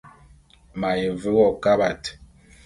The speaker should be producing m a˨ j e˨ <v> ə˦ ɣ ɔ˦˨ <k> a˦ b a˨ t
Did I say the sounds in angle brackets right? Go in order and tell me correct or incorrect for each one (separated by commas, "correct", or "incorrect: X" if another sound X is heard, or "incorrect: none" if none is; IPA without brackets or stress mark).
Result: correct, correct